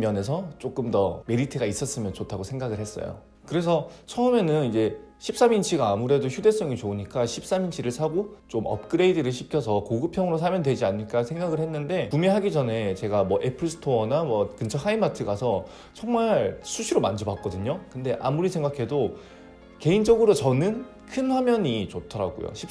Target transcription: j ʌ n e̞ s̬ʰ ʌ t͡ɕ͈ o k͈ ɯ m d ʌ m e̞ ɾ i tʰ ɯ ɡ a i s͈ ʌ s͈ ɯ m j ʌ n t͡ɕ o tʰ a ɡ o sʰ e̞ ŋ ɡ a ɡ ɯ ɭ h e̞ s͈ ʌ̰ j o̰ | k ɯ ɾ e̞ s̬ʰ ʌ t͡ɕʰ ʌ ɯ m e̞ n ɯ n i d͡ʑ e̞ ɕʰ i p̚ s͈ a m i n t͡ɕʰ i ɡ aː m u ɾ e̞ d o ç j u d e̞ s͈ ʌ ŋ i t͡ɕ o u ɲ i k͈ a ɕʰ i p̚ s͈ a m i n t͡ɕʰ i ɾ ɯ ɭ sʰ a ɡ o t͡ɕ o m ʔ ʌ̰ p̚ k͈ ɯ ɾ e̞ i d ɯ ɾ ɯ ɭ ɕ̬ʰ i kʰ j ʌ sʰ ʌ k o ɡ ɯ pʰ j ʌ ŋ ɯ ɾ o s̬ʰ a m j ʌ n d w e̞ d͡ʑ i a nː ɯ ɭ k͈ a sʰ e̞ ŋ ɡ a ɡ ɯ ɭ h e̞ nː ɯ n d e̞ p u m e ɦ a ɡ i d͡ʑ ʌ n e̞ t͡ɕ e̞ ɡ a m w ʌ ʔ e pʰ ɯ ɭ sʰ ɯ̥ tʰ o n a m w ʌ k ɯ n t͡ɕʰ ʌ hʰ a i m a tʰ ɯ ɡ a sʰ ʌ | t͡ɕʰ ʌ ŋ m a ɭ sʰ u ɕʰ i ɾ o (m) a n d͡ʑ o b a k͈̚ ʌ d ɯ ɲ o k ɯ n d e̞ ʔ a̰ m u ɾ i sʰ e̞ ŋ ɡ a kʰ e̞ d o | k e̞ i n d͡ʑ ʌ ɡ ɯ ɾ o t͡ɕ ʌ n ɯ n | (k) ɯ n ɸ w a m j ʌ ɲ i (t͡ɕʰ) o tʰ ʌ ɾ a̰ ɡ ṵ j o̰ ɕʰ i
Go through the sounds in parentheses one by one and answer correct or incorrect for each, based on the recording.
correct, incorrect, incorrect

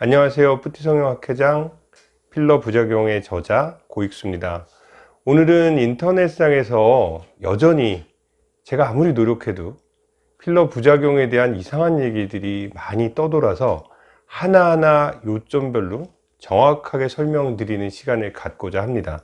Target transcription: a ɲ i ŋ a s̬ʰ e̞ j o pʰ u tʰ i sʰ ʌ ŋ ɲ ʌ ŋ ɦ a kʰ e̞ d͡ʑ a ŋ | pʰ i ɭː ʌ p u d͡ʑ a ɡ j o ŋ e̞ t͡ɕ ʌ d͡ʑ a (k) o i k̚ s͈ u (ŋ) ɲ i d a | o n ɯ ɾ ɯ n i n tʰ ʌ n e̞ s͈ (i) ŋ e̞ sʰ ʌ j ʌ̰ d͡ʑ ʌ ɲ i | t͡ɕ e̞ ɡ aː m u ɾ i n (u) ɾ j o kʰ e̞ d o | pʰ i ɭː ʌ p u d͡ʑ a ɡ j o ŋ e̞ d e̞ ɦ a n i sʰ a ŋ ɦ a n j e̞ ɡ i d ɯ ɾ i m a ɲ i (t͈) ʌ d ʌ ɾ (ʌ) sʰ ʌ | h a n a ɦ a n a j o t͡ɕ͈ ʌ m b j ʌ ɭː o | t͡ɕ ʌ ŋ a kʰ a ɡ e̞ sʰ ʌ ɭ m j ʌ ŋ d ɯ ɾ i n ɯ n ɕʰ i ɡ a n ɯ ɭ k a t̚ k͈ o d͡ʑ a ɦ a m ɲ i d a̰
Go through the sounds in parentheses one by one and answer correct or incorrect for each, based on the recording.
correct, incorrect, incorrect, incorrect, correct, incorrect

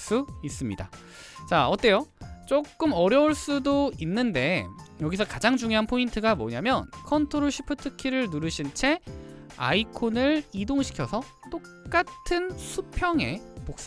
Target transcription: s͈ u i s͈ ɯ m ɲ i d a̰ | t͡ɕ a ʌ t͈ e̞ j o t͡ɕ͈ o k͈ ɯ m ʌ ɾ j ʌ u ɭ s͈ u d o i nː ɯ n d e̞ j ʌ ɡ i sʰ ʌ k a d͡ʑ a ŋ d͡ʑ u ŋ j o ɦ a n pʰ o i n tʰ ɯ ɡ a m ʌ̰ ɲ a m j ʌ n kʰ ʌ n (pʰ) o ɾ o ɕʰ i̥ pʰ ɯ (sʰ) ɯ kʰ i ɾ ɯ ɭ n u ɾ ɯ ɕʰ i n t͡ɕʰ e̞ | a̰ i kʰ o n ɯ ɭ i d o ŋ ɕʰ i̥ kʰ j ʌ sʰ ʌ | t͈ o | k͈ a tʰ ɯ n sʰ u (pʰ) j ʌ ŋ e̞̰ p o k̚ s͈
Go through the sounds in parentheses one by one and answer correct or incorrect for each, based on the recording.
incorrect, incorrect, correct

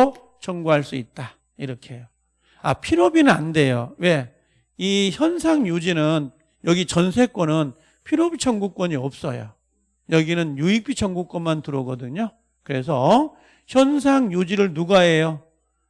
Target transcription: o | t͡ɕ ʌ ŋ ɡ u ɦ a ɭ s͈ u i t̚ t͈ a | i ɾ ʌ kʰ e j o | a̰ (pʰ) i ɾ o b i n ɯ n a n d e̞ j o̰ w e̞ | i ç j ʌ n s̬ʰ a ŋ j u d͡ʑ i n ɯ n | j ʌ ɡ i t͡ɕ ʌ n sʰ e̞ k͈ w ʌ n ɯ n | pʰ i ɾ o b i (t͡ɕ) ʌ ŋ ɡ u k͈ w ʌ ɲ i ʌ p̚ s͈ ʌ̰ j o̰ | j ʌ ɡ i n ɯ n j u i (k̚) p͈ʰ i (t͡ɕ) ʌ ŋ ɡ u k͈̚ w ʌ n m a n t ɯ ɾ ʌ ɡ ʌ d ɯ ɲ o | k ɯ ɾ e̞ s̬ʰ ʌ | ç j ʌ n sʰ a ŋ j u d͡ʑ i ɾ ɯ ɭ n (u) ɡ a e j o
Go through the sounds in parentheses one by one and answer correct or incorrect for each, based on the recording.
correct, incorrect, correct, incorrect, correct

